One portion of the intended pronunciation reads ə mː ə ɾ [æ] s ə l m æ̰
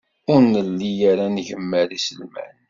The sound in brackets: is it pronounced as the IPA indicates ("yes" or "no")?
no